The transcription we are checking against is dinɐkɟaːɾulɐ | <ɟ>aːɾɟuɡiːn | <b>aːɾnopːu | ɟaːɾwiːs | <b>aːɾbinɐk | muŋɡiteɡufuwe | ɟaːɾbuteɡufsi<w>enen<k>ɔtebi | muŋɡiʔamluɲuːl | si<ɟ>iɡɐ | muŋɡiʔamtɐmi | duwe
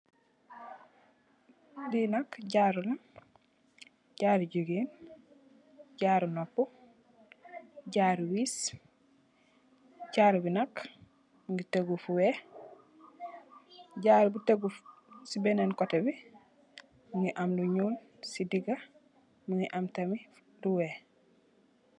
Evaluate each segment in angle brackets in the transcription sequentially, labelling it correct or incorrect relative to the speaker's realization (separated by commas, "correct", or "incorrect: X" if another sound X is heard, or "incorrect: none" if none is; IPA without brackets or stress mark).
correct, incorrect: ɟ, incorrect: ɟ, incorrect: b, correct, incorrect: d